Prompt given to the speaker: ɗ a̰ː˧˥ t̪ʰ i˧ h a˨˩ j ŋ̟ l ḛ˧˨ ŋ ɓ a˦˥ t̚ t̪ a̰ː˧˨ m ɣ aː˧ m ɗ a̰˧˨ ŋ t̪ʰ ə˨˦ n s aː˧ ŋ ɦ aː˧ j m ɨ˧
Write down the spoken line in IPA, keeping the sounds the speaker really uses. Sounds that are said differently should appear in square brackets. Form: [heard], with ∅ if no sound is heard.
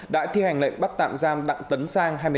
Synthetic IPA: ɗ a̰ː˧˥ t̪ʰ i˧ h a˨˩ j ŋ̟ l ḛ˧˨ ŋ ɓ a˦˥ t̚ t̪ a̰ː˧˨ m [z] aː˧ m ɗ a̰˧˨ ŋ [t̪] ə˨˦ n s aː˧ ŋ ɦ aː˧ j m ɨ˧